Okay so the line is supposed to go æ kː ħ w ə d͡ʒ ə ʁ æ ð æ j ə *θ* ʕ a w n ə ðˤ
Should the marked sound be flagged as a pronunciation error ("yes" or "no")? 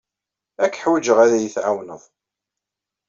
no